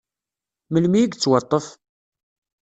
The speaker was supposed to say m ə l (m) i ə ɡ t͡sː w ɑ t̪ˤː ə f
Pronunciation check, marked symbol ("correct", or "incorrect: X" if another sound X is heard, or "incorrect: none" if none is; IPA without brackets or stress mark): correct